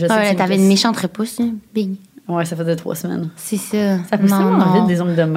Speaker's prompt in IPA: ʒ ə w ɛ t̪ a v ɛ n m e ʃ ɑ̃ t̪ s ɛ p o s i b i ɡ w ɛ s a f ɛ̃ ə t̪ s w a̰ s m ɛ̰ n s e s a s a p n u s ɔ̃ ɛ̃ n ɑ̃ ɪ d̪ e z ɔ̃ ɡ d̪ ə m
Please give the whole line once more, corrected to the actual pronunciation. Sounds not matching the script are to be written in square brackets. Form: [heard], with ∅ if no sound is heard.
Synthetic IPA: ʒ ə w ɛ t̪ a v ɛ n m e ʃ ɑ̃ t̪ [χ] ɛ p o s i b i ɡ w ɛ s a f [ɛ] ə t̪ [χ] w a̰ s m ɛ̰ n s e s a s a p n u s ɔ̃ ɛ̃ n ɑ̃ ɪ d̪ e z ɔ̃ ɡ d̪ ə m